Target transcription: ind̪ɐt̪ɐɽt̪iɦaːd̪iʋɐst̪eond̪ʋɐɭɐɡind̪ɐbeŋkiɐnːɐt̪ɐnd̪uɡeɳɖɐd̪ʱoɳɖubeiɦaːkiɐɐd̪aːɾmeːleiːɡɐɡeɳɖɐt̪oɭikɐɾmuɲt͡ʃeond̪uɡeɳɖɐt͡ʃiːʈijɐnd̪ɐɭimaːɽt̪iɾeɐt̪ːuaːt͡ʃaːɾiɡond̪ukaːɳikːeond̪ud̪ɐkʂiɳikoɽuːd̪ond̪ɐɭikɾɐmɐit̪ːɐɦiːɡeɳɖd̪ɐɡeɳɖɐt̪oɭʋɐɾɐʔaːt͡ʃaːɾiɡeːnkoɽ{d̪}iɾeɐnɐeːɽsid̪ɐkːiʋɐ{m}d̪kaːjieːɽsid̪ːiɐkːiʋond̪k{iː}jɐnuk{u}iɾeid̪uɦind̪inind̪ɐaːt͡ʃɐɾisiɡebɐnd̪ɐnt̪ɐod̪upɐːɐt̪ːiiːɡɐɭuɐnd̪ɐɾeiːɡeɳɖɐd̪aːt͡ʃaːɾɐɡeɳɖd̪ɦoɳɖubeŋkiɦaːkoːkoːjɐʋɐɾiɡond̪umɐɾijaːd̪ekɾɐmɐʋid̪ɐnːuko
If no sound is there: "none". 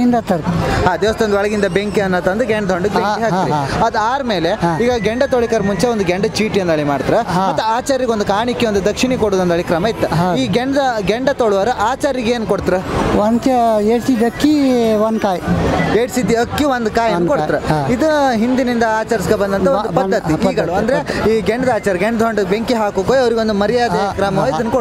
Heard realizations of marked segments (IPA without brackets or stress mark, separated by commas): t̪, n, aː, o